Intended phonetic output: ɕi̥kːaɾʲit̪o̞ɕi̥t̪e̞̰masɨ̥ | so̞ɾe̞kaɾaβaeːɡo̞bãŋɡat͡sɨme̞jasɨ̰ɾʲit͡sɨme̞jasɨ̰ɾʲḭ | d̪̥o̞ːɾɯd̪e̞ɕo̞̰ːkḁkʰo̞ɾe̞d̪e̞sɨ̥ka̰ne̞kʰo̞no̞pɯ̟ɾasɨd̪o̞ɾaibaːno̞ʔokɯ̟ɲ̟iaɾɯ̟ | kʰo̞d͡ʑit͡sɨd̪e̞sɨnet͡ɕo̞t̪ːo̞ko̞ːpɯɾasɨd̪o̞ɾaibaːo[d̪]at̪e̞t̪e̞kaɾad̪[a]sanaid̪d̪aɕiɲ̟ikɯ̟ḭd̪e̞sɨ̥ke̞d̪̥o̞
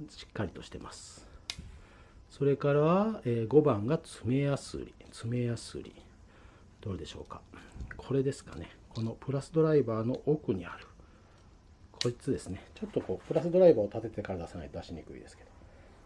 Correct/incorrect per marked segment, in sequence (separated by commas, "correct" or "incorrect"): incorrect, correct